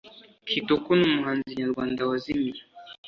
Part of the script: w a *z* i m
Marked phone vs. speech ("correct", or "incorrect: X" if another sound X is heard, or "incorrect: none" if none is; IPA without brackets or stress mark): correct